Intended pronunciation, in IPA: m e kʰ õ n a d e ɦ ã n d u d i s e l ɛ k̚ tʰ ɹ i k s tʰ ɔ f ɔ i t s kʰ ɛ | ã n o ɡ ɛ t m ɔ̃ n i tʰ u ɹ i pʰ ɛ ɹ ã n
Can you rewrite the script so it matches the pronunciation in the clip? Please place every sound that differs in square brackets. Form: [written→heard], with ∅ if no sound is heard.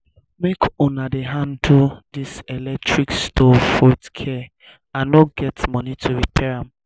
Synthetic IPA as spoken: m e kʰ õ n a d e ɦ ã n d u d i s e l ɛ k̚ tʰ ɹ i k s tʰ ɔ f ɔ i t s kʰ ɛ | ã n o ɡ ɛ t m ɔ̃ n i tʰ u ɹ i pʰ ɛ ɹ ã [n→m]